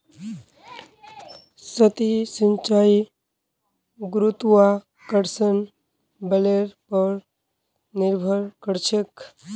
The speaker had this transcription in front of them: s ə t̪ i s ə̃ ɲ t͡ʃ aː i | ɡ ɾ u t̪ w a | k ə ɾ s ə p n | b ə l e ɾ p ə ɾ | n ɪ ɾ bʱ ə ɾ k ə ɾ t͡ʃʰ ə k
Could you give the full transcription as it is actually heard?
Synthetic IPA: s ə t̪ i s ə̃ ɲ t͡ʃ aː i | ɡ ɾ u t̪ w a | k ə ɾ s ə n | b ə l e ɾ p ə ɾ | n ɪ ɾ bʱ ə ɾ k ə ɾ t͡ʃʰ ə k